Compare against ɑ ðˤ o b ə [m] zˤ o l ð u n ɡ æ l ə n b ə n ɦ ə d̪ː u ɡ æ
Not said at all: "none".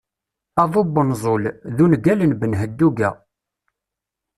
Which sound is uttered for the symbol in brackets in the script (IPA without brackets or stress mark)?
n